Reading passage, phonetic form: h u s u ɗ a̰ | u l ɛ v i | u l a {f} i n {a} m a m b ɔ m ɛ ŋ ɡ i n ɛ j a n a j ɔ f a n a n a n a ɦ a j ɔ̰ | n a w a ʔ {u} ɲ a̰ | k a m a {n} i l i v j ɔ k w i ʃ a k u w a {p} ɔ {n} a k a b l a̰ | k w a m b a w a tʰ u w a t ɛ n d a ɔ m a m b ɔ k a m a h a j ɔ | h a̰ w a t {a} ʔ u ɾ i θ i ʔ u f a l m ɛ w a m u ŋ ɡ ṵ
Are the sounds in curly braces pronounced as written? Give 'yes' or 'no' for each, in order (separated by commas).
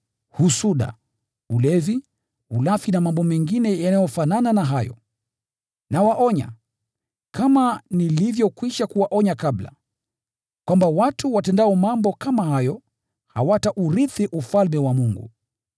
yes, yes, no, yes, no, no, yes